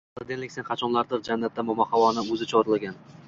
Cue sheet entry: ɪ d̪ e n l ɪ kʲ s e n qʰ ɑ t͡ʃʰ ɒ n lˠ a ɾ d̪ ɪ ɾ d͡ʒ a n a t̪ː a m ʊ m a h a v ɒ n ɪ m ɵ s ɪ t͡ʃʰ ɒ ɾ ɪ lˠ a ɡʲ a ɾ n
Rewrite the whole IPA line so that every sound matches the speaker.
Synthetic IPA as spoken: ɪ d̪ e n l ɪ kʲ s e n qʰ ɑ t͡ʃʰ ɒ n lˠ a ɾ d̪ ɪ ɾ d͡ʒ a nː a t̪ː a m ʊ m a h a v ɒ n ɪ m ɵ z ɪ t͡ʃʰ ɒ ɾ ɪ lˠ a ɡʲ a n

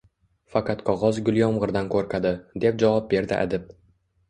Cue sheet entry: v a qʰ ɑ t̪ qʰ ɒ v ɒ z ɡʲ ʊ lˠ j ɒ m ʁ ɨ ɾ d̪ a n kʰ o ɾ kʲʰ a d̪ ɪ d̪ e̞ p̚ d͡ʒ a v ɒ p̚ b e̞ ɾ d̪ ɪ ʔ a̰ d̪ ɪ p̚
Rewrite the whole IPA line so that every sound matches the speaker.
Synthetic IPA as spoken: f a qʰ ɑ t̪ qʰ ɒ ʁ ɒ z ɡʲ ʊ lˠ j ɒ m ʁ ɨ ɾ d̪ a n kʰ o ɾ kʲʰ a d̪ ɪ d̪ e̞ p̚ d͡ʒ a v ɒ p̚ b e̞ ɾ d̪ ɪ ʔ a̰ d̪ ɪ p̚

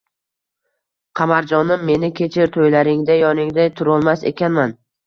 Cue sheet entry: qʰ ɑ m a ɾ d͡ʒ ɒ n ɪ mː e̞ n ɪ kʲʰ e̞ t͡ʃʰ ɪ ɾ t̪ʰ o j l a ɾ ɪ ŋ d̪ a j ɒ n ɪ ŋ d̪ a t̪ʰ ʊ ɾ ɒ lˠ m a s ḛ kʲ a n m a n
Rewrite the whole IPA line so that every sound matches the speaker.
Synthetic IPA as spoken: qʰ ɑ m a ɾ d͡ʒ ɒ n ɪ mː e̞ n ɪ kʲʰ e̞ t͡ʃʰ ɪ ɾ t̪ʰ o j l a ɾ ɪ ŋ d̪ a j ɒ n ɪ ŋ d̪ a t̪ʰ ʊ ɾ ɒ lˠ m a s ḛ kʲ a n m a n

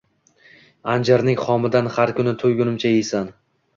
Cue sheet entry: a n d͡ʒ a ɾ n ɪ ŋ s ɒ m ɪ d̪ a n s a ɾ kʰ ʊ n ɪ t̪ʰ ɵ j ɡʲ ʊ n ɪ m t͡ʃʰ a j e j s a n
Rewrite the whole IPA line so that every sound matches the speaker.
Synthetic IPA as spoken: a n d͡ʒ a ɾ n ɪ ŋ χ ɒ m ɪ d̪ a n h a ɾ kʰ ʊ n ɪ t̪ʰ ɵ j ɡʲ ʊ n ɪ m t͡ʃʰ a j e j s a n

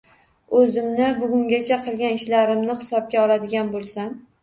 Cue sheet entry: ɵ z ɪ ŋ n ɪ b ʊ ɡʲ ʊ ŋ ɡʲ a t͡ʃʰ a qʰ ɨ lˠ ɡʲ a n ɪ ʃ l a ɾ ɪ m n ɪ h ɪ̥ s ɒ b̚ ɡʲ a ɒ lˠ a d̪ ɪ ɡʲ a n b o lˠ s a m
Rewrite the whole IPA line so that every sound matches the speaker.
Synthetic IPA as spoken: ɵ z ɪ m n ɪ b ʊ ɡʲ ʊ ŋ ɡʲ a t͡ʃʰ a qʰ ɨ lˠ ɡʲ a n ɪ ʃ l a ɾ ɪ m n ɪ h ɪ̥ s ɒ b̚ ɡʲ a ɒ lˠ a d̪ ɪ ɡʲ a n b o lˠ s a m

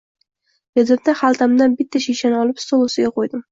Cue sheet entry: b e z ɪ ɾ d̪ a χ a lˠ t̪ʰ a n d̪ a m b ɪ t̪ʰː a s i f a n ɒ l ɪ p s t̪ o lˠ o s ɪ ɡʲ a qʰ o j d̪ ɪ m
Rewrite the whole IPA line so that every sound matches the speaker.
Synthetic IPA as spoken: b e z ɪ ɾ d̪ a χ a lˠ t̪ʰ a m d̪ a n b ɪ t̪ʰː a ʃ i ʃ a n ɒ l ɪ p s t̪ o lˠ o s ɪ ɡʲ a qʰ o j d̪ ɪ m

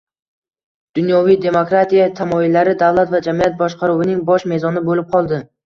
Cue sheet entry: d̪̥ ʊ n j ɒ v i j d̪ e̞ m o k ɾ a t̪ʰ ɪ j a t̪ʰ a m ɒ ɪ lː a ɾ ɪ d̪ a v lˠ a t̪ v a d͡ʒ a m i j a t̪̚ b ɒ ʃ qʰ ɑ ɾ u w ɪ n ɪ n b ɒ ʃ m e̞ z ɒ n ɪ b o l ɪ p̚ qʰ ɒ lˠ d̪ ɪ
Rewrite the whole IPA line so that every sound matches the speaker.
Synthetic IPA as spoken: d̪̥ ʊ n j ɒ v i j d̪ e̞ m o k ɾ a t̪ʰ i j a t̪ʰ a m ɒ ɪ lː a ɾ ɪ d̪ a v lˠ a t̪ v a d͡ʒ a m i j a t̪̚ b ɒ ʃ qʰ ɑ ɾ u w ɪ n ɪ ŋ b ɒ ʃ m e̞ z ɒ n ɪ b o l ɪ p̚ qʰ ɒ lˠ d̪ ɪ

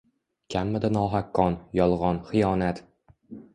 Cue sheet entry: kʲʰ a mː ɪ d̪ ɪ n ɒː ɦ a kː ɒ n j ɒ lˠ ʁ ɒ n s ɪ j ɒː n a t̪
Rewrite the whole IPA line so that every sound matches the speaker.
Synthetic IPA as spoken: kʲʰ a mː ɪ d̪ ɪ n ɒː ɦ a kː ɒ n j ɒ lˠ ʁ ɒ n χ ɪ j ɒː n a t̪

